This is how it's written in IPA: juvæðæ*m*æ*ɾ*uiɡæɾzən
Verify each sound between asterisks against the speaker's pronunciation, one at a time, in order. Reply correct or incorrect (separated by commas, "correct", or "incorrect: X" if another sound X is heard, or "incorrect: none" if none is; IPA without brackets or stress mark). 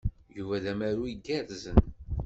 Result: correct, correct